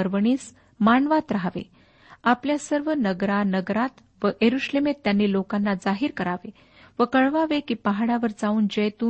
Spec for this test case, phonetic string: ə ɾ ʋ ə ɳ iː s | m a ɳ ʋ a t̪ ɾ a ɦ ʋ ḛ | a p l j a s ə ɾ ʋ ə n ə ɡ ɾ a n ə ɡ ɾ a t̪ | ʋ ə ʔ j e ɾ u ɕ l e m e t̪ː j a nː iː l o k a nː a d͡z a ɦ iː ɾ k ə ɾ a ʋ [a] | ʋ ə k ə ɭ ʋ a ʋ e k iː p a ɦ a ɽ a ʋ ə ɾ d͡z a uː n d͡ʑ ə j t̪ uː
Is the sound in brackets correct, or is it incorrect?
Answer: incorrect